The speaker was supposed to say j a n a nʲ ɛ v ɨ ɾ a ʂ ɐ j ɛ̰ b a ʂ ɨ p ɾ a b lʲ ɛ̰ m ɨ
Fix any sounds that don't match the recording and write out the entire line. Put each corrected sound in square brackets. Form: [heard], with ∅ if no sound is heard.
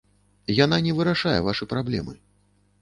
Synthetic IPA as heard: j a n a nʲ ɛ v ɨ ɾ a ʂ [a] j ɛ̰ [v] a ʂ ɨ p ɾ a b lʲ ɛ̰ m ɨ